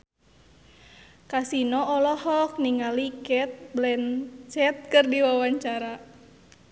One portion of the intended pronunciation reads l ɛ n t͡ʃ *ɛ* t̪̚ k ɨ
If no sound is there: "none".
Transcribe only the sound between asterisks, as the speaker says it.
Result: ɛ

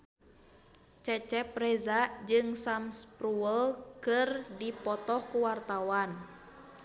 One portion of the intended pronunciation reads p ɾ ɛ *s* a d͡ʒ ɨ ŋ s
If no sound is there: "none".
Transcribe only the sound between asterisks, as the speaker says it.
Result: z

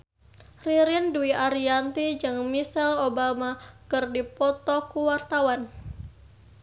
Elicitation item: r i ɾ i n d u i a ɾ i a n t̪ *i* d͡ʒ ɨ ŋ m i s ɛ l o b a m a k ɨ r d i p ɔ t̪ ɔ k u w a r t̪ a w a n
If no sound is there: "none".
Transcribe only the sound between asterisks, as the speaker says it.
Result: i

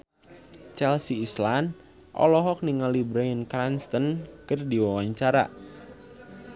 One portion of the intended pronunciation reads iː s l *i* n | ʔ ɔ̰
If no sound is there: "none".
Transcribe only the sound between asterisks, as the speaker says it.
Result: a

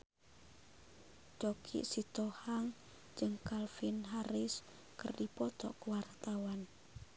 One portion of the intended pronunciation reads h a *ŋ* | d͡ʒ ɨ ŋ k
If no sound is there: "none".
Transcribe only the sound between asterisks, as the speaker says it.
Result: ŋ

